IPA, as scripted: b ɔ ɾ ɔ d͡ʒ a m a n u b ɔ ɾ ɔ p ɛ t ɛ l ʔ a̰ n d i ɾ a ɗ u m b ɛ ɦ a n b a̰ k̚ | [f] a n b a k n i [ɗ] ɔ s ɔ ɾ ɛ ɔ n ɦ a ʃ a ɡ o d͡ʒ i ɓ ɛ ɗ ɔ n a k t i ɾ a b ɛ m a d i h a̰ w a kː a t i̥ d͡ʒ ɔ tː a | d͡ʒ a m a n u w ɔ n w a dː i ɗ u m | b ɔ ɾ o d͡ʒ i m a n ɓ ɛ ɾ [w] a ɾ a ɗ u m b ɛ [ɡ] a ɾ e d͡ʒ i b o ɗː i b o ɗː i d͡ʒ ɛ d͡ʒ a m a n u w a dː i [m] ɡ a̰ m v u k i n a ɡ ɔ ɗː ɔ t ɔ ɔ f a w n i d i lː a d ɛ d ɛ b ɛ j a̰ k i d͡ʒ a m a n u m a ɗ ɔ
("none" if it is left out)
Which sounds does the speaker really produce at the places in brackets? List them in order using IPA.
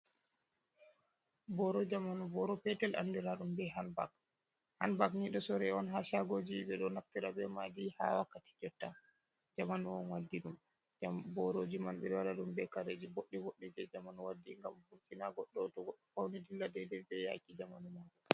h, ɗ, w, k, ŋ

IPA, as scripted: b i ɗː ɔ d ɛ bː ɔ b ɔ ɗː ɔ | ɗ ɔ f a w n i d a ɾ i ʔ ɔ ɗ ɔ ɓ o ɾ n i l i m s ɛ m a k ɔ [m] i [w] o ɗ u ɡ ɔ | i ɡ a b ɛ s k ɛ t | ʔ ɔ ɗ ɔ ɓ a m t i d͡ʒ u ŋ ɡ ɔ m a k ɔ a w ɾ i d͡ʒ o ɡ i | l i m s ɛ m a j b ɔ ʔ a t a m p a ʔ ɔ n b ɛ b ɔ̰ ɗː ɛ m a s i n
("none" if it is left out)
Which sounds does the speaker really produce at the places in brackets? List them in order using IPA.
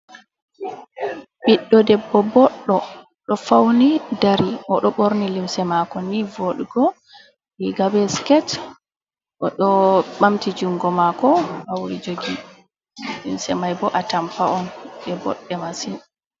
n, v

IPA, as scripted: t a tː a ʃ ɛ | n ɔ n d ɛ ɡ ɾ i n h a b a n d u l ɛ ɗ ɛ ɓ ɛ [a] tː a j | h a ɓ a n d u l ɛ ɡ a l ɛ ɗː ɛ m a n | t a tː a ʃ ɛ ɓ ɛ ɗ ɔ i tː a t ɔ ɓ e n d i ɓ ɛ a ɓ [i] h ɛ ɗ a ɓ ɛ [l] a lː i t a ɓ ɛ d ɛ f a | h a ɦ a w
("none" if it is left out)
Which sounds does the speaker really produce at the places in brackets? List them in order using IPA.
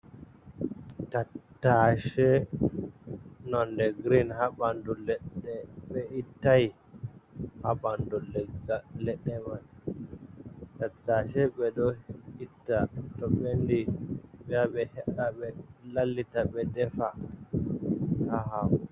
i, ɛ, l

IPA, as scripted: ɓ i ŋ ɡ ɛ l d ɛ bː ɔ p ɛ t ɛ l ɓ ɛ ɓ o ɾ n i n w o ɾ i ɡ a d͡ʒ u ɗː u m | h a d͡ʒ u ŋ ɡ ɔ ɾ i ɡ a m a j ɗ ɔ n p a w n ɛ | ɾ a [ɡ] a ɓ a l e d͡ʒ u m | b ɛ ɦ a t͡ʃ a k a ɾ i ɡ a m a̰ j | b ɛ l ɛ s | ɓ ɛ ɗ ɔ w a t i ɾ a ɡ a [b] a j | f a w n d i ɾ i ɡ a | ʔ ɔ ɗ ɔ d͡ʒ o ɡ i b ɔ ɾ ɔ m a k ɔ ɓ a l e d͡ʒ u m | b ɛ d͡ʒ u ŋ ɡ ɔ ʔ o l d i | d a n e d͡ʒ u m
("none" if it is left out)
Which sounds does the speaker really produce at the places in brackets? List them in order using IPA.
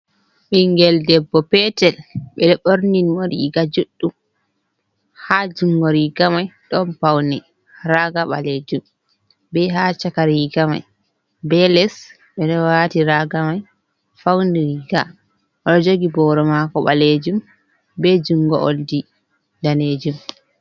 ɡ, m

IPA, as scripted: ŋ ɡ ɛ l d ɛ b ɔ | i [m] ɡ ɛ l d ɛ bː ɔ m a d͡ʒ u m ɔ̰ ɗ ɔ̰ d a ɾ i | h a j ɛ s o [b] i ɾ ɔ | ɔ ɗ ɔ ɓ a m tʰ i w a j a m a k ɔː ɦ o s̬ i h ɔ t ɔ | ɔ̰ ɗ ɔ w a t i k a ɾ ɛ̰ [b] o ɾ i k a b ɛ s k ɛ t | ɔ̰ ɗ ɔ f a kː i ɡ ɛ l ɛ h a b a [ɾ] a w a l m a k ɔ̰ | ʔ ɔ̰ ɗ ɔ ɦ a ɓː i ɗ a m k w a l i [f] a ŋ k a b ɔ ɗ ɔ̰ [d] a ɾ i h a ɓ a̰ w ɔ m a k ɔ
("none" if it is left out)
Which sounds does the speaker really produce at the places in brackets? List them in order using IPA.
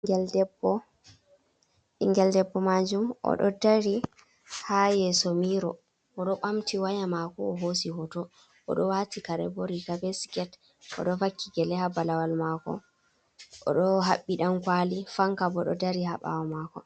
ŋ, m, b, l, f, d

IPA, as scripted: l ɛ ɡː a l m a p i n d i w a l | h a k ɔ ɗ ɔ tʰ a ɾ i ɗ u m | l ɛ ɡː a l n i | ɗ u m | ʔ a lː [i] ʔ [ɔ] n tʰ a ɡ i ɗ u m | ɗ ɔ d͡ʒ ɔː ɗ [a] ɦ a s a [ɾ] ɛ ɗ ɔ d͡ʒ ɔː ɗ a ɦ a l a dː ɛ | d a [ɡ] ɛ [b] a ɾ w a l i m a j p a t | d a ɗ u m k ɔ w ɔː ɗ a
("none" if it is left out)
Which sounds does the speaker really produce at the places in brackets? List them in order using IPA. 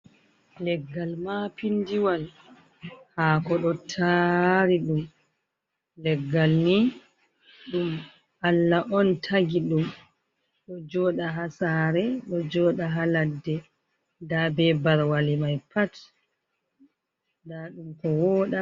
a, ɔ, a, ɾ, b, b

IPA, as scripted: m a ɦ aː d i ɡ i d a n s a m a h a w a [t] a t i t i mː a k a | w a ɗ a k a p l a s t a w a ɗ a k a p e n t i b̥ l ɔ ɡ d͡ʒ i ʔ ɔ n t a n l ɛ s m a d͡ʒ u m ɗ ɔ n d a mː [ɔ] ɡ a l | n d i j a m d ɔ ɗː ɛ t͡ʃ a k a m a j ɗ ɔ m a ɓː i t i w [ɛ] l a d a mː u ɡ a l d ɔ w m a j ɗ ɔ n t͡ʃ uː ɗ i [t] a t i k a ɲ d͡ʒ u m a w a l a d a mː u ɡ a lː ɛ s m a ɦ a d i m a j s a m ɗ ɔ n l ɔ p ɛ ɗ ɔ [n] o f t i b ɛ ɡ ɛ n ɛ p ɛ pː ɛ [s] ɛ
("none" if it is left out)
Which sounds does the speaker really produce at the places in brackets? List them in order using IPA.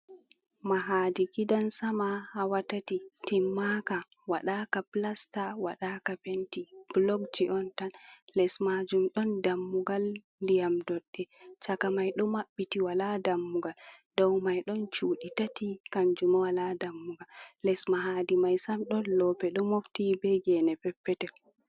t, u, a, t, m, t

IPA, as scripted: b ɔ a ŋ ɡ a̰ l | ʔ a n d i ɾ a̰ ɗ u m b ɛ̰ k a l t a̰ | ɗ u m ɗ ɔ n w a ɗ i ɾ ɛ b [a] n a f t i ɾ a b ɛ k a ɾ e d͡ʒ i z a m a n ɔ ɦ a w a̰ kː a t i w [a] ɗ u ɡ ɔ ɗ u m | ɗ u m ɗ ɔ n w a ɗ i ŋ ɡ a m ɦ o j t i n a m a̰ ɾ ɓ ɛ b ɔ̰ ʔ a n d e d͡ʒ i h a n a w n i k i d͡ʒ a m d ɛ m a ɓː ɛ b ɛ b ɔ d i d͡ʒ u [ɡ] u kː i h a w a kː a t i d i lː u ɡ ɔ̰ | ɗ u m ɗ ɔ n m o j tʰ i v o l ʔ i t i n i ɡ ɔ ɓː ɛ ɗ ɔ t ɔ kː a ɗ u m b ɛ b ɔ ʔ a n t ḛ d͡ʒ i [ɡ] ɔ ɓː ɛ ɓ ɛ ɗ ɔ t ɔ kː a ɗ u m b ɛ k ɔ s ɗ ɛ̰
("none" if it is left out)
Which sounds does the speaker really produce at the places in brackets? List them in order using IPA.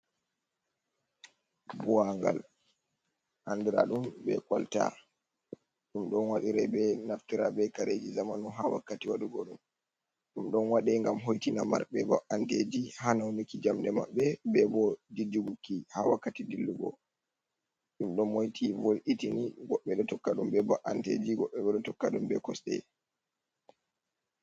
ɛ, a, ɡ, ɡ

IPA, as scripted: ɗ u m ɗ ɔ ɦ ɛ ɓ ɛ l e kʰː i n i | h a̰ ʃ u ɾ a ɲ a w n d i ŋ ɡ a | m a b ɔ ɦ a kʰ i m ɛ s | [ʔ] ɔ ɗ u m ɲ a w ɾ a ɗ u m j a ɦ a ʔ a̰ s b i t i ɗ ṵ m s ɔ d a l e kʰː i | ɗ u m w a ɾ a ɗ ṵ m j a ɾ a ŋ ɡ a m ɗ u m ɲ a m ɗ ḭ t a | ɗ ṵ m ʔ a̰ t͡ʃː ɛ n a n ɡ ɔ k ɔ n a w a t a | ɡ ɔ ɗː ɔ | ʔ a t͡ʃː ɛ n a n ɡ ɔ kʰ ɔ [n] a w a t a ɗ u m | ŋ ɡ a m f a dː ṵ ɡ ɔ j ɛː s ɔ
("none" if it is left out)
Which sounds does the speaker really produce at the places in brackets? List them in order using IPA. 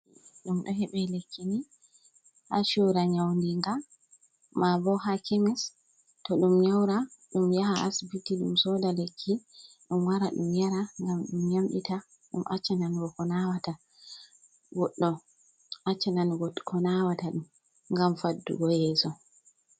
t, n

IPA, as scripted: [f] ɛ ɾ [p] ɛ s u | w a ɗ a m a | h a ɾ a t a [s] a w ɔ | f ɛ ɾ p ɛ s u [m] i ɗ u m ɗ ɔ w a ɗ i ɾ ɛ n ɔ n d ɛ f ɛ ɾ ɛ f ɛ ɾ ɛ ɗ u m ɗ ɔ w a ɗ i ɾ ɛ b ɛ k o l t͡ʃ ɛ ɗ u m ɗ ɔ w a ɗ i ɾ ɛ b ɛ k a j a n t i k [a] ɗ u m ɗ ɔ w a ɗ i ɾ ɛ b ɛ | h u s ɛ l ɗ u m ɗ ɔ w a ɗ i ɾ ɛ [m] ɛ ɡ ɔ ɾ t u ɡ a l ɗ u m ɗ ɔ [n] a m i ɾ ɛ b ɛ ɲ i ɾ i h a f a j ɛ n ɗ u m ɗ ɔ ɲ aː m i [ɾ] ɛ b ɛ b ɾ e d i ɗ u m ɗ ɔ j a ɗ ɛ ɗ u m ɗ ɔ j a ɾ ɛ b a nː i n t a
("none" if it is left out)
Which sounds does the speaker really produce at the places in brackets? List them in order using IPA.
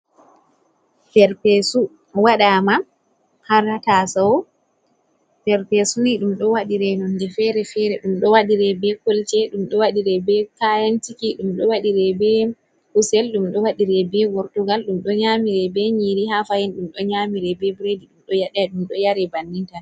f, p, s, n, i, b, ɲ, ɾ

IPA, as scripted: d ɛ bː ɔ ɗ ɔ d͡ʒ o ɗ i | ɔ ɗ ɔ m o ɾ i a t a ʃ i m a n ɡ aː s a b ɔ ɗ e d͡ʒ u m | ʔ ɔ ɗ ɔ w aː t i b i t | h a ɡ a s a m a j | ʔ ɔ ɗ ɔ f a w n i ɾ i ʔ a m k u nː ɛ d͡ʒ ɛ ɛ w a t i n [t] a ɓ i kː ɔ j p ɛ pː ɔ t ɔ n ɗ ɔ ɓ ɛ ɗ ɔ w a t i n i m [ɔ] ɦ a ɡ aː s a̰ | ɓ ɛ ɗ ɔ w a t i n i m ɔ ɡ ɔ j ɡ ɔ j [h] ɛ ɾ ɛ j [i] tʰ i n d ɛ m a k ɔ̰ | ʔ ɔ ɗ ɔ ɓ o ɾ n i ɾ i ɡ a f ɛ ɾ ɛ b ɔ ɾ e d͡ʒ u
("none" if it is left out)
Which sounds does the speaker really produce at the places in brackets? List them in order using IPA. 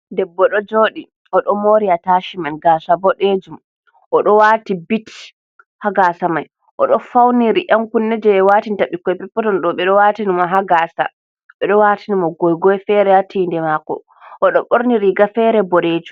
t, ɔ, f, a

